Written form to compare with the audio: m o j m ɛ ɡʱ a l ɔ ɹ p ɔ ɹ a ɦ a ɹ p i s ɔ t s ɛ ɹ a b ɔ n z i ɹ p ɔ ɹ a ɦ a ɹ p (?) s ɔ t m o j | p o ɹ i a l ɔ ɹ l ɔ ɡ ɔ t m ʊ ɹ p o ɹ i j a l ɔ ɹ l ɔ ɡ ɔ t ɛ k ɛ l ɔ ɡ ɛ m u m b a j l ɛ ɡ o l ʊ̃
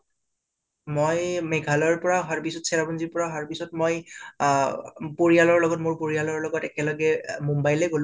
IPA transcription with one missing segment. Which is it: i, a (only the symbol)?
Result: i